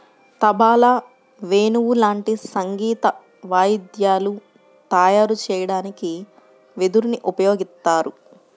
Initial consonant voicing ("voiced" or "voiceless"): voiceless